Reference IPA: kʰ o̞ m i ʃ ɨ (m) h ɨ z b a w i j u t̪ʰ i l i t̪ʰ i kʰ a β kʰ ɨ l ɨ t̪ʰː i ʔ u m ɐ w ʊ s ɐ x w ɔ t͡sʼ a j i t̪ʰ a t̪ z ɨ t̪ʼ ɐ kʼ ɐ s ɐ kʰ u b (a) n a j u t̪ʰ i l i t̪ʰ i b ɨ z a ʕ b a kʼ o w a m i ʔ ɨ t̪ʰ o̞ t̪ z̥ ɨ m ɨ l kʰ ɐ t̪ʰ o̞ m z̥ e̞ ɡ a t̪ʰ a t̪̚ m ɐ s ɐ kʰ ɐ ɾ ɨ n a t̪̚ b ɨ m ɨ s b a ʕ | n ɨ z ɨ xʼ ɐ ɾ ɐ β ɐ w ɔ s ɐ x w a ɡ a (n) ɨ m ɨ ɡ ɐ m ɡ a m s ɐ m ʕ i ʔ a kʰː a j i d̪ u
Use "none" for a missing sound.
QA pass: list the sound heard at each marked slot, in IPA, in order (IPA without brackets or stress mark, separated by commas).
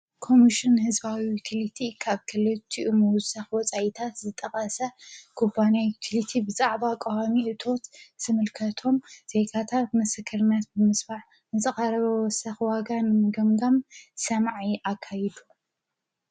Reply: n, a, n